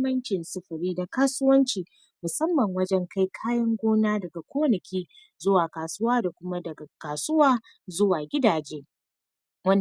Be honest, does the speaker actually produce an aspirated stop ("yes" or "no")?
yes